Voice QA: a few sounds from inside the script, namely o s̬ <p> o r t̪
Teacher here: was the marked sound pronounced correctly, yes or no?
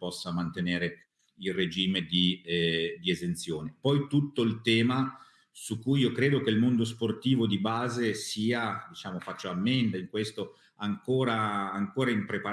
yes